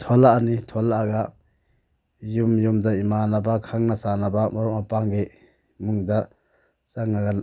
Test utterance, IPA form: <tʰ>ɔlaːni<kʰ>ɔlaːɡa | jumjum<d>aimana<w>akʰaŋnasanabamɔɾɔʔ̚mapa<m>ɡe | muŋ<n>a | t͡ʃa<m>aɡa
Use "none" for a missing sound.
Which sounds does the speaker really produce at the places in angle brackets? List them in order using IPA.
tʰ, tʰ, d, b, ŋ, d, ŋ

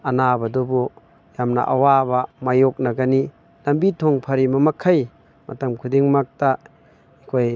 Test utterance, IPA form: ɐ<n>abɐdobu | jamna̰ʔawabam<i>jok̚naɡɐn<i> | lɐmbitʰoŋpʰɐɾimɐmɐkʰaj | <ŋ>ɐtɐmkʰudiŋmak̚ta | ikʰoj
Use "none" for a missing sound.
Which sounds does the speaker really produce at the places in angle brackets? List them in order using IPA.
n, a, i, m

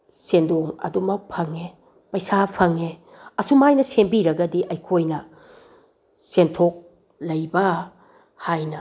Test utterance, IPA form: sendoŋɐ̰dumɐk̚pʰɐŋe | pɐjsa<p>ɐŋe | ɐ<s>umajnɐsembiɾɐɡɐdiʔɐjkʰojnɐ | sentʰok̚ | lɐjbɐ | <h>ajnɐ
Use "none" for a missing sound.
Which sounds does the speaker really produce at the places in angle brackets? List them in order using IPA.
pʰ, s, h

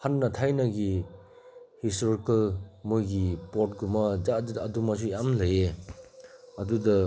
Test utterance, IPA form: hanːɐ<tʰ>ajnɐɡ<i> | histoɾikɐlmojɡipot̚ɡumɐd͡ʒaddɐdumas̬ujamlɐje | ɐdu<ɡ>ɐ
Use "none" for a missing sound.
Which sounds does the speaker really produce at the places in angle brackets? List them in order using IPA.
tʰ, i, d

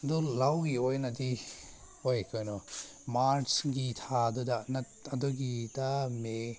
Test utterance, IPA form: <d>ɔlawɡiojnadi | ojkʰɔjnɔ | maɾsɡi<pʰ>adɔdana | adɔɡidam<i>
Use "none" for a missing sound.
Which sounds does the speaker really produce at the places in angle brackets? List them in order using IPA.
d, tʰ, e

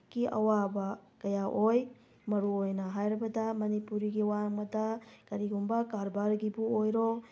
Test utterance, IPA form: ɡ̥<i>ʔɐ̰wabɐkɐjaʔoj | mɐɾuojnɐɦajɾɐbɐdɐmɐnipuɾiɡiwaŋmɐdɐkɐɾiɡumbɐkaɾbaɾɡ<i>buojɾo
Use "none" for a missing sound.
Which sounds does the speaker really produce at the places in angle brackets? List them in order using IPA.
i, i

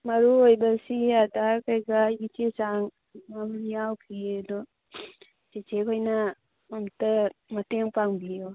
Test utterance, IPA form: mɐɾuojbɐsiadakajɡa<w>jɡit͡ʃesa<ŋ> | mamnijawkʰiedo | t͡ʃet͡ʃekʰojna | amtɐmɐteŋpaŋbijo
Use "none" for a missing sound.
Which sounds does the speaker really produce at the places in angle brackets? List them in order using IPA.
none, ŋ

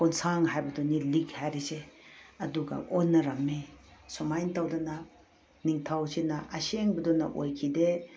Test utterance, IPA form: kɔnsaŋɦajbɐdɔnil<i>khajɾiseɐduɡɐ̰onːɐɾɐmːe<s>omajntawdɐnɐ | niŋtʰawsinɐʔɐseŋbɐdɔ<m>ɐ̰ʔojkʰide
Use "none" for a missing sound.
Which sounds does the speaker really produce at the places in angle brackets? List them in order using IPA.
i, s, n

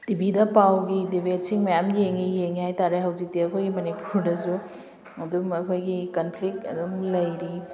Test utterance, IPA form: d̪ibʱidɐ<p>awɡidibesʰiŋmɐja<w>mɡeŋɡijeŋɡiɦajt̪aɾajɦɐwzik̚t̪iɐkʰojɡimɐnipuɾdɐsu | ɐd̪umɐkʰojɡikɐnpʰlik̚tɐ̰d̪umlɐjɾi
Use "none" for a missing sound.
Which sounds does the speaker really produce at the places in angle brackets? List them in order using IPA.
p, none

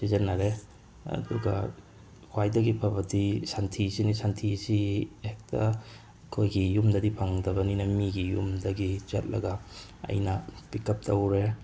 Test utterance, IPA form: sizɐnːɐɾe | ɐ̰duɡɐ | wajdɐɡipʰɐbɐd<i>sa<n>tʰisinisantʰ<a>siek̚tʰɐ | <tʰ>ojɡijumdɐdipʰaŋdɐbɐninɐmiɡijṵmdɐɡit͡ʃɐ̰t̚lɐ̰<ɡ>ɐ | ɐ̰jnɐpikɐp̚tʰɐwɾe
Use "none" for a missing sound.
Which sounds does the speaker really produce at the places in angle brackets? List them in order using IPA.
i, n, i, kʰ, ɡ

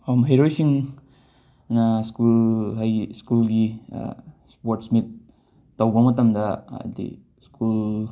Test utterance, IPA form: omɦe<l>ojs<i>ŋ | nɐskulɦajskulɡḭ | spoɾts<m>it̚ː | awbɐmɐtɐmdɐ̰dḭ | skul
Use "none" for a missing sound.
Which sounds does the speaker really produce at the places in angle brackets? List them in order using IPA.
ɾ, i, m

